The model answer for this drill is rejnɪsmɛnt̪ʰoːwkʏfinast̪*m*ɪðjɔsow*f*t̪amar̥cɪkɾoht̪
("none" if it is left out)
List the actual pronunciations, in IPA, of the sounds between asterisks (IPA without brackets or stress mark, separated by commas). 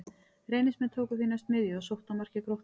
m, h